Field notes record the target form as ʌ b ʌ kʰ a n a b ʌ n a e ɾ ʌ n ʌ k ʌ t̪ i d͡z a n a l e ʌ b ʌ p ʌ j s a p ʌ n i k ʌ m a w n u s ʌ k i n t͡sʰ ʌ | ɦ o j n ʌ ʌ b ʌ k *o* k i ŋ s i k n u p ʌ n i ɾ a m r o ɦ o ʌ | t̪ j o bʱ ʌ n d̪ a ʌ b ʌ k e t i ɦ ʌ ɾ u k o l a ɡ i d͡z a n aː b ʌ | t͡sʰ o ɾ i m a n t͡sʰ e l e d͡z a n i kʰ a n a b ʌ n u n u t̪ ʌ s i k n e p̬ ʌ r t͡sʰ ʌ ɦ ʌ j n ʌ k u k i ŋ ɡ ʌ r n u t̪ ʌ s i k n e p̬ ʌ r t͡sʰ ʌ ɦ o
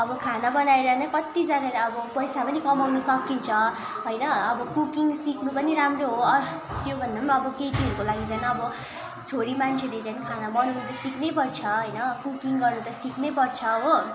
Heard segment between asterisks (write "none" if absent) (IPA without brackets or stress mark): u